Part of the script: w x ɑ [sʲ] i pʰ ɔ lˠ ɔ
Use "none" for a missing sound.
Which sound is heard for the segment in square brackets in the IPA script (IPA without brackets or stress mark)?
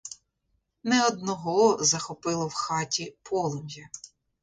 tʲ